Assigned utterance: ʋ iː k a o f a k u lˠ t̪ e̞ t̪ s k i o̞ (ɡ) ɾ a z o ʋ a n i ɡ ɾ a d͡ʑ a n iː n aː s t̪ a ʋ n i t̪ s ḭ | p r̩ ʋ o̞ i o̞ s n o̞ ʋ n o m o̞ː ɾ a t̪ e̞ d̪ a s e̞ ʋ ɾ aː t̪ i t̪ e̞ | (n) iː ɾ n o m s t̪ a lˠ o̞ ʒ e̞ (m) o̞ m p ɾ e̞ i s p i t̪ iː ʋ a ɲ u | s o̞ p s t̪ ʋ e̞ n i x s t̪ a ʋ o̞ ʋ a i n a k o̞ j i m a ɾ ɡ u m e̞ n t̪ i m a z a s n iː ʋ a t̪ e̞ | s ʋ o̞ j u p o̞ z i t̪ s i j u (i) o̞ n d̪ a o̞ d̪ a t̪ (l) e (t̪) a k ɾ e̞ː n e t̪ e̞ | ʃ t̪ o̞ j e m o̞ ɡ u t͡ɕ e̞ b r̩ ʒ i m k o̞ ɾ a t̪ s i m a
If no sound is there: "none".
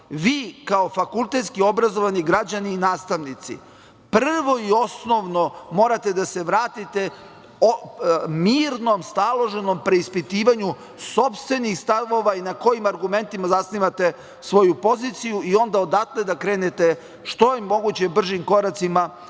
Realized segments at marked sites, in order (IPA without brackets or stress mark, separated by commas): b, m, n, i, l, d̪